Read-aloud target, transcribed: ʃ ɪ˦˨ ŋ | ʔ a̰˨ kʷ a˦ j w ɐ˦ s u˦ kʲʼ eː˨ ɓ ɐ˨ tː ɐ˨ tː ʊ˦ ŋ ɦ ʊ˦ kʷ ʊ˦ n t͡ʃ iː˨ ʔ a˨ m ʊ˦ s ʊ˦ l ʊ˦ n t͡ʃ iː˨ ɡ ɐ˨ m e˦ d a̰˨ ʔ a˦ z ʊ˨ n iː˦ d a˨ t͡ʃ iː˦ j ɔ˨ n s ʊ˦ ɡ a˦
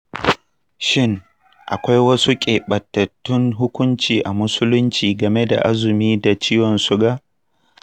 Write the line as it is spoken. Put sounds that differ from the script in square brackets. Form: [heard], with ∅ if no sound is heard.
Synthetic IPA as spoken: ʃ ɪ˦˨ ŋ | ʔ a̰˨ kʷ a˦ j w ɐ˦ s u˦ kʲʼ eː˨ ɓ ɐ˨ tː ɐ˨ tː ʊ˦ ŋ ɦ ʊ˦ kʷ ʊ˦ n t͡ʃ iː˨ ʔ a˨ m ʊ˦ s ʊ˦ l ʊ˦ n t͡ʃ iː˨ ɡ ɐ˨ m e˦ d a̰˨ ʔ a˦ z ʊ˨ [m] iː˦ d a˨ t͡ʃ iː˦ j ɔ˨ n s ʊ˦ ɡ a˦